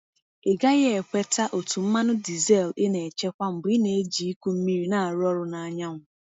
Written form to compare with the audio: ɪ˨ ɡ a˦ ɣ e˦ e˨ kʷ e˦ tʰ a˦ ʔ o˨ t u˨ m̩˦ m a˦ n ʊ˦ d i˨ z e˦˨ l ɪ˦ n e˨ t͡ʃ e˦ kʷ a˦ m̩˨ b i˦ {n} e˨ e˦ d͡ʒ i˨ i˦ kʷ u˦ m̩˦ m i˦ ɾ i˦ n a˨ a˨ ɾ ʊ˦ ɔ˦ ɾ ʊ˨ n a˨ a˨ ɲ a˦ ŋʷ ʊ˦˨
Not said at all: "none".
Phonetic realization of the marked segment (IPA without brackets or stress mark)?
n